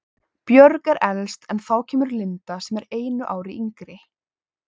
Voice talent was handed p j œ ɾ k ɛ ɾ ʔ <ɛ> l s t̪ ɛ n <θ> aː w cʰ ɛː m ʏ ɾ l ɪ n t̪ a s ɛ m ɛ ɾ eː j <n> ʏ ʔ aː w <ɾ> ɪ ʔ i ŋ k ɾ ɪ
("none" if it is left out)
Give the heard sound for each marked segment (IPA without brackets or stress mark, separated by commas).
ɛ, θ, n, ɾ